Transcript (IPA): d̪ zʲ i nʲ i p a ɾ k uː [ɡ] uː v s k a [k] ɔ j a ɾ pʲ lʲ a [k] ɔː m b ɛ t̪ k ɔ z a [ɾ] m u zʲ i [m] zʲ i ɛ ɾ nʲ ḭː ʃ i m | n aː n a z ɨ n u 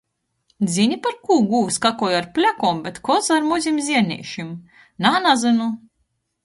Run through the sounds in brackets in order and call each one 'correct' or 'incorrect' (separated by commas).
correct, correct, correct, correct, correct